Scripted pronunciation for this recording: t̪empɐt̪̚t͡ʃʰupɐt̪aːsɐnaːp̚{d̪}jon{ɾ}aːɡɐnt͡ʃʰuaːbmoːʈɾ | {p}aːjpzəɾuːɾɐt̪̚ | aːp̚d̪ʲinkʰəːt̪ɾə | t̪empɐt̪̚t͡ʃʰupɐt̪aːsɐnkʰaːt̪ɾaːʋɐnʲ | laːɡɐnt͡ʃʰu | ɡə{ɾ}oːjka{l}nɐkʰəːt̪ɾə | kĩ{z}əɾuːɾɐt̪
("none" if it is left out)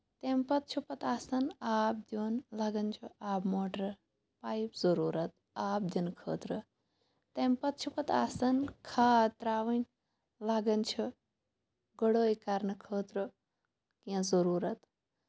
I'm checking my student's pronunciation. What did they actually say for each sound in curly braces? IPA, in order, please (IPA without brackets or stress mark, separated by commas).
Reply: d̪, l, p, ɽ, ɾ, z